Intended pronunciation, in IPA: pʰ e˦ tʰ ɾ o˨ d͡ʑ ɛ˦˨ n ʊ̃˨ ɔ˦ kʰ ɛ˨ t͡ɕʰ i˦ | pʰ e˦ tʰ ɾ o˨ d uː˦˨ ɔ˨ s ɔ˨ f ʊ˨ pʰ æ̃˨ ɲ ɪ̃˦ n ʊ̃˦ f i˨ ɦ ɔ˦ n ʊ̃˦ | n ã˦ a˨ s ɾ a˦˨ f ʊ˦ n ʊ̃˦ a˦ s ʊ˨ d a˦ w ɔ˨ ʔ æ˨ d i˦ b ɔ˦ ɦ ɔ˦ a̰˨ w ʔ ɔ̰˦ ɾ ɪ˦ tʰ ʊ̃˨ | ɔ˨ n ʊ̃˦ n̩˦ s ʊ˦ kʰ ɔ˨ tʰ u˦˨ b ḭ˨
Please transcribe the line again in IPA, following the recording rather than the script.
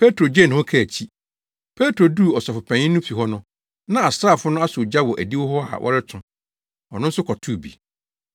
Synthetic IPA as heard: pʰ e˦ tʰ ɾ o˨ d͡ʑ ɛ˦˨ n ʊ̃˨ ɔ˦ kʰ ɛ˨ t͡ɕʰ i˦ | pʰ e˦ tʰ ɾ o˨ d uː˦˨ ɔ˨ s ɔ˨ f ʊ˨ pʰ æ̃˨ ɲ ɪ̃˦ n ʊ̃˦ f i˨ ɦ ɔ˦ n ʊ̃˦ | n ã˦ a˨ s ɾ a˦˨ f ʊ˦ n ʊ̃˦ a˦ s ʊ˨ d͡ʑ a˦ w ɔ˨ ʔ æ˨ d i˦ w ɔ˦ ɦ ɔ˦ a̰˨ w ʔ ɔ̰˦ ɾ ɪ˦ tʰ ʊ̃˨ | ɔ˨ n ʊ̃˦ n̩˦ s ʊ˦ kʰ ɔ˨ tʰ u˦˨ b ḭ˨

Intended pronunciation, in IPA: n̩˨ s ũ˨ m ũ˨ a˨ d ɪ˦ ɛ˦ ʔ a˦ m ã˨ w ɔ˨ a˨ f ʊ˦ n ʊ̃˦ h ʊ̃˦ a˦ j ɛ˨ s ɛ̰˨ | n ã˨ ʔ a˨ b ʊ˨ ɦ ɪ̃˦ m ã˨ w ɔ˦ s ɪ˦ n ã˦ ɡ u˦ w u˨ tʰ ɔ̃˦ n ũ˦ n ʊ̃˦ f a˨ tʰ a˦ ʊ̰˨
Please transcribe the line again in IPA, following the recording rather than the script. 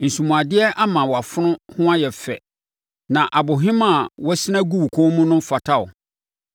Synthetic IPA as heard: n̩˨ s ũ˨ m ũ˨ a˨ d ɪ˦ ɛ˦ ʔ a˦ m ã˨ w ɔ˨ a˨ f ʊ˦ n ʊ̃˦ h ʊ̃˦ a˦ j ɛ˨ f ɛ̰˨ | n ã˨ ʔ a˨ b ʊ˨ ɦ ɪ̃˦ m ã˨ w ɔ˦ s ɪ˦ n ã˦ ɡ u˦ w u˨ kʰ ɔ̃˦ m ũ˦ n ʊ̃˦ f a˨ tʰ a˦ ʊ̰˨

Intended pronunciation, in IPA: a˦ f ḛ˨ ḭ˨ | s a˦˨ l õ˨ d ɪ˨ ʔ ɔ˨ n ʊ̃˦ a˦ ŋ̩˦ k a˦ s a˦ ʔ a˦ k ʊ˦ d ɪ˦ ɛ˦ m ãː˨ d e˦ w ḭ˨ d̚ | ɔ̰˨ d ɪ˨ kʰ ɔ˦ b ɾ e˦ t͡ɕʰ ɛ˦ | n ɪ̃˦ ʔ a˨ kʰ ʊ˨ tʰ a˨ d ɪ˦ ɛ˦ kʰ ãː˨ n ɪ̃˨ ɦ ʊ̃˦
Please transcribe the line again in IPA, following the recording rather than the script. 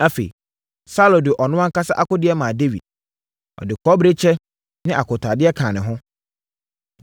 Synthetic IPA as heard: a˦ f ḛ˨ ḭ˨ | s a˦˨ l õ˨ d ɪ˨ ʔ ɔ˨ n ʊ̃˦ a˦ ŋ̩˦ k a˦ s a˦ ʔ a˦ k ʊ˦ d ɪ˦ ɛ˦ m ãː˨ d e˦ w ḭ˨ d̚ | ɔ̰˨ d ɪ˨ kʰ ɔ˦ b ɾ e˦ t͡ɕʰ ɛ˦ | n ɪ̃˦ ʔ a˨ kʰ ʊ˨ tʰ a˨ d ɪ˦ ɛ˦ kʰ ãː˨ n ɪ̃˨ ɦ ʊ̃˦

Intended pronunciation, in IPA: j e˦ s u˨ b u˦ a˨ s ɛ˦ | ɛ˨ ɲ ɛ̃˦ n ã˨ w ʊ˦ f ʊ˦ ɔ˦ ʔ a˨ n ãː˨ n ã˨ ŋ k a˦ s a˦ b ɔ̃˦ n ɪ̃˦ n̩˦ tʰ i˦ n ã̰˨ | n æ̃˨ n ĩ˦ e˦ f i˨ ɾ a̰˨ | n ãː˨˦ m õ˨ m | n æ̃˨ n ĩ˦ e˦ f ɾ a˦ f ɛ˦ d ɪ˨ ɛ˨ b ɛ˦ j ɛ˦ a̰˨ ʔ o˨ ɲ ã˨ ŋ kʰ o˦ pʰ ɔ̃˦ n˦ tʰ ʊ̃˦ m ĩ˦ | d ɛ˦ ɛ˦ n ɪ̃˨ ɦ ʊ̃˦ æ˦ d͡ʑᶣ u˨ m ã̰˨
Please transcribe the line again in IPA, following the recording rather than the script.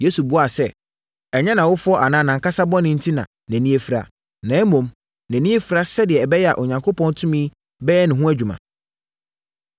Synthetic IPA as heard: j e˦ s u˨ b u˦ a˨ s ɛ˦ | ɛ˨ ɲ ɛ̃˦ n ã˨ w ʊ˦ f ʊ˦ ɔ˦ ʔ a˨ n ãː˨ n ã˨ ŋ k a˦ s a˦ b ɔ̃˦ n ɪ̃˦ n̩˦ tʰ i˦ n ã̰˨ | n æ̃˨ n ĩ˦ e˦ f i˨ ɾ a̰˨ | n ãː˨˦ m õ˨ m | n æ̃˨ n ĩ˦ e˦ f ɾ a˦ s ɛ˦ d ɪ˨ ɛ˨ b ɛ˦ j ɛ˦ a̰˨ ʔ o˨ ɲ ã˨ ŋ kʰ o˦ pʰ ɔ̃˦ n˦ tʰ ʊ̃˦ m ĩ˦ | b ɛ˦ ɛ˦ n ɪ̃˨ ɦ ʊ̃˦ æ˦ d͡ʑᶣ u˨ m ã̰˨

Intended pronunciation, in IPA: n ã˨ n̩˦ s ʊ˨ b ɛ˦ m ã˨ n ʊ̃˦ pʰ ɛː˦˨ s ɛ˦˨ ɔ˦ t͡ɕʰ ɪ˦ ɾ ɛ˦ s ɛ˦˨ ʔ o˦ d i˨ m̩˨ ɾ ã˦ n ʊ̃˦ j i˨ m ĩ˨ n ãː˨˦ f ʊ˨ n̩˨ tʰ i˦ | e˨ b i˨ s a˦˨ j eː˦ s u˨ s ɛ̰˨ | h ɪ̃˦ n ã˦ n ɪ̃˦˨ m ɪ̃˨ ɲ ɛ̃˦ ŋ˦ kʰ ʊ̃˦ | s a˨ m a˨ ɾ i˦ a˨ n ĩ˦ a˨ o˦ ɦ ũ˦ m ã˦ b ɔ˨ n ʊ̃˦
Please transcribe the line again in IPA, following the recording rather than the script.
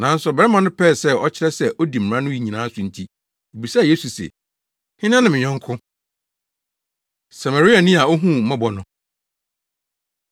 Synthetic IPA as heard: n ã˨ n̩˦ s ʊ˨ b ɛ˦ m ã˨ n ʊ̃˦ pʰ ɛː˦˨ s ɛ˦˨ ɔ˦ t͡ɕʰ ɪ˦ ɾ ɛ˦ s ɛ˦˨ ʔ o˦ d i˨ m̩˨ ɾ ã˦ n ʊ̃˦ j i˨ ɲ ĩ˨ n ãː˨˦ s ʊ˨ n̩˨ tʰ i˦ | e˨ b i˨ s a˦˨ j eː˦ s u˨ s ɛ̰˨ | h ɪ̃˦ n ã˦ n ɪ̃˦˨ m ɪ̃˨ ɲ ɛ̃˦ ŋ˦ kʰ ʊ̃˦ | s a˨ m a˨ ɾ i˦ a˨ n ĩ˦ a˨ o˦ ɦ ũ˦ m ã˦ b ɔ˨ n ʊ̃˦

